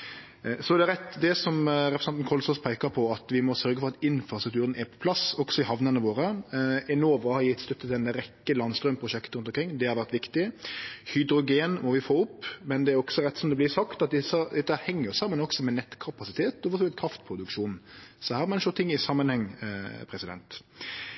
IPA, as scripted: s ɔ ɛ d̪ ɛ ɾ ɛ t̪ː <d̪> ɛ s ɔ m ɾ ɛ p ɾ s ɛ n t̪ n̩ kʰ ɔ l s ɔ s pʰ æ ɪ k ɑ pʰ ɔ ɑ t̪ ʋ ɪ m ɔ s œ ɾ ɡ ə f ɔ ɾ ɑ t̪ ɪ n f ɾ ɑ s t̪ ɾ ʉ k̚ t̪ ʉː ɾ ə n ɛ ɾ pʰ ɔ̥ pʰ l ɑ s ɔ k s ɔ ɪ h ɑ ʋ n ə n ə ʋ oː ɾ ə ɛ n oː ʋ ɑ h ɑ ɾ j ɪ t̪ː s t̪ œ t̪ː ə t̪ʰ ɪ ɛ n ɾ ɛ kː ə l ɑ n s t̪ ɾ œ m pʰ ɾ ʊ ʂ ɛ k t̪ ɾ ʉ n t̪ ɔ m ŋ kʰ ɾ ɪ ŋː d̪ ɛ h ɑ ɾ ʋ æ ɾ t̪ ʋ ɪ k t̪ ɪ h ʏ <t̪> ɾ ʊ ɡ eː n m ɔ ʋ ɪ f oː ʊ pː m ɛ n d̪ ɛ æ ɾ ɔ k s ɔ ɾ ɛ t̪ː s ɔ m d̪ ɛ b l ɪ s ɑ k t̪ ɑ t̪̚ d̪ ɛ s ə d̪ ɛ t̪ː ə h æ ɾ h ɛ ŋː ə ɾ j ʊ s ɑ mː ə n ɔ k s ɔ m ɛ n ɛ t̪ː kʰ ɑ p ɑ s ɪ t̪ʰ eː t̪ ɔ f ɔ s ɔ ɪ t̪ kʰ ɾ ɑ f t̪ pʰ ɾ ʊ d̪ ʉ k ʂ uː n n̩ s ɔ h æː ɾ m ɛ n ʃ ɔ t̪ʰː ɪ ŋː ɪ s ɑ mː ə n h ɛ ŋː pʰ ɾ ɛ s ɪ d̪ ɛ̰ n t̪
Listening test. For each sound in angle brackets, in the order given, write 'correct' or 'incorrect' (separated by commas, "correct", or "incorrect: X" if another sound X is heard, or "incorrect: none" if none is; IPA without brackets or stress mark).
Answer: correct, incorrect: d̪